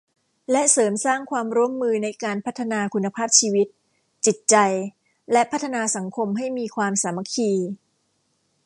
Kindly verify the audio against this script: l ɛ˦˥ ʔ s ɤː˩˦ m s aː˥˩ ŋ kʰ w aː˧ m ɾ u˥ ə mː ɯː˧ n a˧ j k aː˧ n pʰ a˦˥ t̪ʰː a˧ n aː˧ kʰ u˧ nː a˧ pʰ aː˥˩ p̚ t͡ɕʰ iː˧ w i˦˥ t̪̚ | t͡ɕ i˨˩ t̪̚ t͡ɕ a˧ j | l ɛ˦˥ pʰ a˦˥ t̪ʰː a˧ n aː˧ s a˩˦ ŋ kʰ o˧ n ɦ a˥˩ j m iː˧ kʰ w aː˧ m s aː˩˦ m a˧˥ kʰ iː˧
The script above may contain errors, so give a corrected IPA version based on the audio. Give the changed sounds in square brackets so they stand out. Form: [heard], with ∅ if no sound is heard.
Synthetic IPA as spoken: l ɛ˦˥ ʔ s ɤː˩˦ m s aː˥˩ ŋ kʰ w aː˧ m ɾ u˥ ə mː ɯː˧ n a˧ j k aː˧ n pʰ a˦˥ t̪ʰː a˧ n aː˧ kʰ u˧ nː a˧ pʰ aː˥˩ p̚ t͡ɕʰ iː˧ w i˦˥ t̪̚ | t͡ɕ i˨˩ t̪̚ t͡ɕ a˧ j | l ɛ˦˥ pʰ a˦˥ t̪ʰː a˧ n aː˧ s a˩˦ ŋ kʰ o˧ [m] ɦ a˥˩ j m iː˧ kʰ w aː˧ m s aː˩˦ m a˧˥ kʰ iː˧